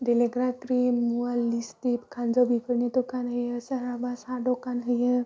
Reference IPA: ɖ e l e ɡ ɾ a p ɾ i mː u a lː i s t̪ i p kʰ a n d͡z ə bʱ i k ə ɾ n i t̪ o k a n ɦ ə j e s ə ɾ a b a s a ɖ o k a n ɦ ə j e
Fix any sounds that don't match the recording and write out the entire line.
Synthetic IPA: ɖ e l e ɡ ɾ a k ɾ i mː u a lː i s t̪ i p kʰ a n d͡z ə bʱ i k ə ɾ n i t̪ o k a n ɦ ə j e s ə ɾ a b a s a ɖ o k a n ɦ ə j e